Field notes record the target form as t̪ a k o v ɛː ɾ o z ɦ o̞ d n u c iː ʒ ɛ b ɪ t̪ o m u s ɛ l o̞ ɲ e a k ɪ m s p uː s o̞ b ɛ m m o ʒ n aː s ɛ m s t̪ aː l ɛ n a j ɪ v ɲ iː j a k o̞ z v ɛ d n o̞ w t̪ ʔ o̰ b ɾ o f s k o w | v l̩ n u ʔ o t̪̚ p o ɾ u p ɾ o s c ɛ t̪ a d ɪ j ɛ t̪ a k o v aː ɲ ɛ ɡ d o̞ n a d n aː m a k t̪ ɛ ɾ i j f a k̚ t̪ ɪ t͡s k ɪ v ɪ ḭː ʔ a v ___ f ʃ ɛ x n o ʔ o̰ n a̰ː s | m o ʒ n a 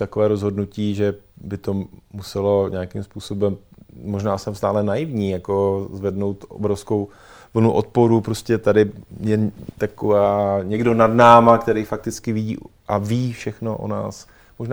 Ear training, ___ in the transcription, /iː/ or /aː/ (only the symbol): iː